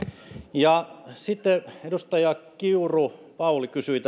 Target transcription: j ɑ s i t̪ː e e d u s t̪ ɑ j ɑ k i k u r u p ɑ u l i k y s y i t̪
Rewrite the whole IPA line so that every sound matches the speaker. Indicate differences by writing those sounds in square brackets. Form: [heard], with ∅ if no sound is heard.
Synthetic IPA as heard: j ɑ s i t̪ː e e d u s t̪ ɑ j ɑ k i [∅] u r u p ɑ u l i k y s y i t̪